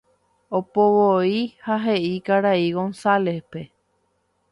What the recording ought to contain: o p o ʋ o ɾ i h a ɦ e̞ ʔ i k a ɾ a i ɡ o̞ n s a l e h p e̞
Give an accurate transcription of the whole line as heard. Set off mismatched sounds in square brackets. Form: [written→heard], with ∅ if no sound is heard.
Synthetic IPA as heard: o p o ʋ o [ɾ→∅] i h a ɦ e̞ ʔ i k a ɾ a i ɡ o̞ n s a l e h p e̞

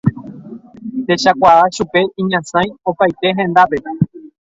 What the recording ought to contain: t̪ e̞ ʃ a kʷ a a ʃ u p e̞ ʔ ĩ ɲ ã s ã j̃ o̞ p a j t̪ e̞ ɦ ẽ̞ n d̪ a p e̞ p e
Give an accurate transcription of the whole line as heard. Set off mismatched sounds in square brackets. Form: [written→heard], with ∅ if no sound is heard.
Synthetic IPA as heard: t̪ e̞ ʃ a kʷ a a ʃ u p e̞ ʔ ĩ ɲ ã s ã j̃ o̞ p a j t̪ e̞ ɦ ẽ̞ n d̪ a p e̞ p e

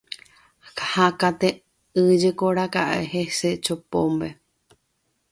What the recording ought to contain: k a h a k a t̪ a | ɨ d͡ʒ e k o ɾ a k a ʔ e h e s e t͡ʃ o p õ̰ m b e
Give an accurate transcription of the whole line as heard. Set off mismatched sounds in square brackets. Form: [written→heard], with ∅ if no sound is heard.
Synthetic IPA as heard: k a h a k a t̪ [a→e] | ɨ d͡ʒ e k o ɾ a k a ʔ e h e s e t͡ʃ o p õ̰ m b e

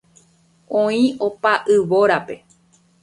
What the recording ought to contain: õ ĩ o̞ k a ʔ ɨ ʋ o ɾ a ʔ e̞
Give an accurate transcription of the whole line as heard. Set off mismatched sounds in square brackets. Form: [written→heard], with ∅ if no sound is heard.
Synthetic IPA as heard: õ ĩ o̞ [k→p] a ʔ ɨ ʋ o ɾ a [ʔ→p] e̞

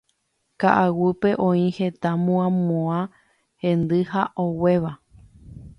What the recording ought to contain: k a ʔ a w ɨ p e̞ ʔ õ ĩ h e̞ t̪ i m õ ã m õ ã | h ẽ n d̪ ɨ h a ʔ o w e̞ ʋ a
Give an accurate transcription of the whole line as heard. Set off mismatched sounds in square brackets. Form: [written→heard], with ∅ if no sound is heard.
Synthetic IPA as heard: k a ʔ a w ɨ p e̞ ʔ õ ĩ h e̞ t̪ [i→a] m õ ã m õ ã | h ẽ n d̪ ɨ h a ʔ o w e̞ ʋ a

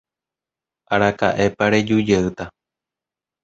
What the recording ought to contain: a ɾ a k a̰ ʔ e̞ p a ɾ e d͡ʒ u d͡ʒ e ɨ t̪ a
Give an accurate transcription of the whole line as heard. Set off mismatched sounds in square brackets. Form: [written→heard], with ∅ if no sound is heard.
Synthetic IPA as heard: a ɾ a k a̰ ʔ e̞ p a ɾ e d͡ʒ u d͡ʒ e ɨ t̪ a

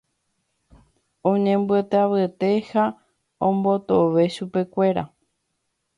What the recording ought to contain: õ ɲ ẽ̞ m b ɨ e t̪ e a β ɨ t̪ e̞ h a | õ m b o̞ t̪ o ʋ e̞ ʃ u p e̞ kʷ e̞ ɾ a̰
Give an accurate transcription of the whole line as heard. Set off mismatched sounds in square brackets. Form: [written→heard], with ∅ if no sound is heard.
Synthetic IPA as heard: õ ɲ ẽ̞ m b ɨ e t̪ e a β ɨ t̪ e̞ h a | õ m b o̞ t̪ o ʋ e̞ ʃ u p e̞ kʷ e̞ ɾ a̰

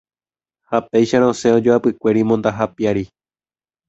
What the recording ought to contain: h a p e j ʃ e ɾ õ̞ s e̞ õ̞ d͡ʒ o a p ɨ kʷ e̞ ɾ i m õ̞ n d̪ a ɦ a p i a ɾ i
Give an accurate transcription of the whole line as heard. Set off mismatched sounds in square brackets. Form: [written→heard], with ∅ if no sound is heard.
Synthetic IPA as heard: h a p e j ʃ [e→a] ɾ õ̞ s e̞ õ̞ d͡ʒ o a p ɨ kʷ e̞ ɾ i m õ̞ n d̪ a ɦ a p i a ɾ i

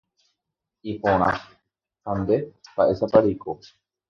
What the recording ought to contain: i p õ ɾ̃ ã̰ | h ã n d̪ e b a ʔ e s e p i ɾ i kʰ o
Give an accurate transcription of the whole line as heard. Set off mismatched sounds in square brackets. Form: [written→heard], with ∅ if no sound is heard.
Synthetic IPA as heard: i p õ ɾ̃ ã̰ | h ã n d̪ e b a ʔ e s [e→a] p [i→a] ɾ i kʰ o

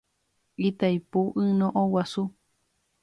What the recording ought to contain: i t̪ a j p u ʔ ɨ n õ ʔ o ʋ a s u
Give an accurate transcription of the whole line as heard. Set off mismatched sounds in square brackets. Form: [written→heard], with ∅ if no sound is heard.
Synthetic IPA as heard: i t̪ a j p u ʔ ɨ n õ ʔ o [ʋ→w] a s u

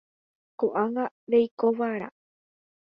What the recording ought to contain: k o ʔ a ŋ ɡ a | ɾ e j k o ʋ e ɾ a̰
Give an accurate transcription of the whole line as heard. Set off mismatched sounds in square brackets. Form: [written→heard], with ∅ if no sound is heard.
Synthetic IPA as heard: k o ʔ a ŋ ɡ a | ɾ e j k o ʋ [e→a] ɾ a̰

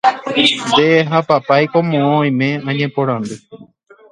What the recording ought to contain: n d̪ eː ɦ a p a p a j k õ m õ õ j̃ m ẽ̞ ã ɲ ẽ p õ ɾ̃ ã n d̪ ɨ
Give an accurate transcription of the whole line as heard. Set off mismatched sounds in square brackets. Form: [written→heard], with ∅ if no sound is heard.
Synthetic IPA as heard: n d̪ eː ɦ a p a p a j k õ m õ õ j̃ m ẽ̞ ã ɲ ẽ p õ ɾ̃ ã n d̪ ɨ

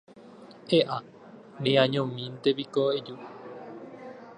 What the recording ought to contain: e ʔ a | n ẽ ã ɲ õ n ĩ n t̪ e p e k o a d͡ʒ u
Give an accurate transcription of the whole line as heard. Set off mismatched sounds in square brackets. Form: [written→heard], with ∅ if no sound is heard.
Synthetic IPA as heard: e ʔ a | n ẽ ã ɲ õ [n→m] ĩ n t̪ e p [e→i] k o [a→e] d͡ʒ u

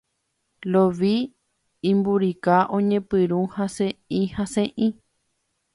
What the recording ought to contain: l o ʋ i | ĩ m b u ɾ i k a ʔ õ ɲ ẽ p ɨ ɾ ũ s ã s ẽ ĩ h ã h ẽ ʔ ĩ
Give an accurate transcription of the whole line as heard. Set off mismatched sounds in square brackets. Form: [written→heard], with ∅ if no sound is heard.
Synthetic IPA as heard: l o ʋ i | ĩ m b u ɾ i k a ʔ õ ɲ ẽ p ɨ ɾ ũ [s→h] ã s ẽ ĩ h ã [h→s] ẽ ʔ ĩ

